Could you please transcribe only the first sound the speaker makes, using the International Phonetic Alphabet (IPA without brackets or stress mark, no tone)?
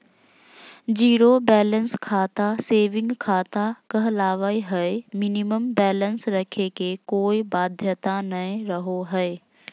d͡ʒ